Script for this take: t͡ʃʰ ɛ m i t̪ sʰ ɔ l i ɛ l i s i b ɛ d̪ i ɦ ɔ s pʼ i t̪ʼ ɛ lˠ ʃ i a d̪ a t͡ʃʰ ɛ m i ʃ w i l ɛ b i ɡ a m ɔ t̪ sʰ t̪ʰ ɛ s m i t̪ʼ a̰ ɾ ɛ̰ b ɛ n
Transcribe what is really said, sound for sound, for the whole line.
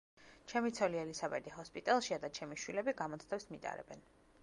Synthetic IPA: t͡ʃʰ ɛ m i t̪ sʰ ɔ l i ɛ l i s a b ɛ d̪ i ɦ ɔ s pʼ i t̪ʼ ɛ lˠ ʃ i a d̪ a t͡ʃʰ ɛ m i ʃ w i l ɛ b i ɡ a m ɔ t̪ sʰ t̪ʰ ɛ s m i t̪ʼ a̰ ɾ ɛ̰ b ɛ n